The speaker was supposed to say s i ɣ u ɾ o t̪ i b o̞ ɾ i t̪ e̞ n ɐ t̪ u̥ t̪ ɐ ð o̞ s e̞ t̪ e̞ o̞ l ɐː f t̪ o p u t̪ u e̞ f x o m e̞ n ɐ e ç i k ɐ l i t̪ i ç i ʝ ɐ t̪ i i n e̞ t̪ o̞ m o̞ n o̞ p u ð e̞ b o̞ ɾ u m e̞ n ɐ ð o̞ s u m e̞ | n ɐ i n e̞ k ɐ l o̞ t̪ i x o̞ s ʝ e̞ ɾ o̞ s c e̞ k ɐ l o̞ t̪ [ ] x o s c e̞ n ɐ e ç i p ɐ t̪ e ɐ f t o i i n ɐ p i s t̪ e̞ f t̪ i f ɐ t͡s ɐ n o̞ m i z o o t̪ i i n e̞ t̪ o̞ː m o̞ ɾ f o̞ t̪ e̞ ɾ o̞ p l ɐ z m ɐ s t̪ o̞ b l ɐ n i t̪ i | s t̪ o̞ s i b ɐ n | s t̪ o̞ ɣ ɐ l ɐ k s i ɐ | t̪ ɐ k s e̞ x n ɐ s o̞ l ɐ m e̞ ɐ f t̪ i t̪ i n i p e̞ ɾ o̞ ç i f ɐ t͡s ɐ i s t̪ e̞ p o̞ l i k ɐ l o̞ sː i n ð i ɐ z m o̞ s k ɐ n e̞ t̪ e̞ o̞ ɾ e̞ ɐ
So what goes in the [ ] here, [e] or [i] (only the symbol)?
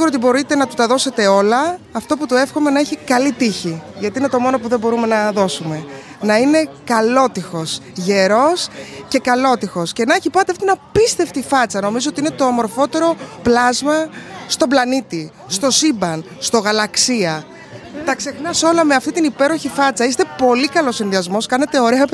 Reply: i